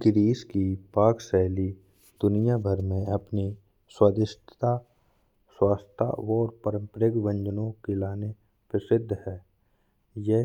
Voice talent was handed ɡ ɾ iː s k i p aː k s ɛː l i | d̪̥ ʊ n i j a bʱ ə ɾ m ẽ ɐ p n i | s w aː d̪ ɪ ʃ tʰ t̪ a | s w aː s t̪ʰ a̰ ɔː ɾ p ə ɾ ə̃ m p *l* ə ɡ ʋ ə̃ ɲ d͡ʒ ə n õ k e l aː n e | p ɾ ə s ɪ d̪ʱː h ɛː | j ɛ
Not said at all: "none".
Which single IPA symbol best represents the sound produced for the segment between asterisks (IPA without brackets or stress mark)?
ɾ